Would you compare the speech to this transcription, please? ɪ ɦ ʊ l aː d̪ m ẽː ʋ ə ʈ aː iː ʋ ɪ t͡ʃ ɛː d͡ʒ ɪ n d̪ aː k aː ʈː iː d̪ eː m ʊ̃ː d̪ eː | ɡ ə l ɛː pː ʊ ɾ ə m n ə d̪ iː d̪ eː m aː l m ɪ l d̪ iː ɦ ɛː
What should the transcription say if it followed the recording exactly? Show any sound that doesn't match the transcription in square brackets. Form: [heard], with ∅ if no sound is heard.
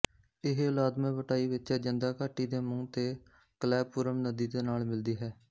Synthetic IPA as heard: ɪ ɦ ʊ l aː d̪ m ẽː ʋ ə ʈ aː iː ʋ ɪ t͡ʃ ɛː d͡ʒ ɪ n d̪ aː k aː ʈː iː d̪ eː m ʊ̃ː [t̪] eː | [k] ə l ɛː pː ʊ ɾ ə m n ə d̪ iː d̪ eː [n] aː l m ɪ l d̪ iː ɦ ɛː